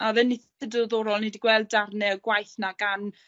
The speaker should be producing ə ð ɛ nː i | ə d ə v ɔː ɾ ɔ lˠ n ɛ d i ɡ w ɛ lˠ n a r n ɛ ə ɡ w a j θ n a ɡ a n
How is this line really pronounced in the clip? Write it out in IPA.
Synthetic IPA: a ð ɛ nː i | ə d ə ð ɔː ɾ ɔ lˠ n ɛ d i ɡ w ɛ lˠ d a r n ɛ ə ɡ w a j θ n a ɡ a n